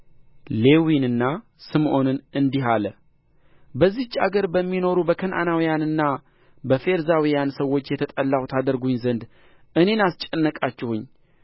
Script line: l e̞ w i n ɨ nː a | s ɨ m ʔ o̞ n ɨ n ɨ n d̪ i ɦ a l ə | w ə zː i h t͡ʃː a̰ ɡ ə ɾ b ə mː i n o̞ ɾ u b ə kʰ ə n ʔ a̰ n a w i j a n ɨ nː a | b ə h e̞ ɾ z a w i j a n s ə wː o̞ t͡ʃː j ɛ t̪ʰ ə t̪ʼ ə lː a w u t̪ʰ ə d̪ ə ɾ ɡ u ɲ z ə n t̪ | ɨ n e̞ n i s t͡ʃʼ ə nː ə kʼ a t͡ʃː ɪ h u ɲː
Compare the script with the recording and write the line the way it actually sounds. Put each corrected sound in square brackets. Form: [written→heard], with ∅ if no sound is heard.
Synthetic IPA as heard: l e̞ w i n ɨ nː a | s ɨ m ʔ o̞ n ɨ n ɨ n d̪ i ɦ a l ə | [w→b] ə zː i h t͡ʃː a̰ ɡ ə ɾ b ə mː i n o̞ ɾ u b ə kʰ ə n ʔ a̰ n a w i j a n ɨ nː a | b ə [h→f] e̞ ɾ z a w i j a n s ə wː o̞ t͡ʃː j ɛ t̪ʰ ə t̪ʼ ə lː a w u t̪ʰ [ə→a] d̪ ə ɾ ɡ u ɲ z ə n [t̪→d̪] | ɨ n e̞ n [i→a] s t͡ʃʼ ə nː ə kʼ a t͡ʃː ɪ h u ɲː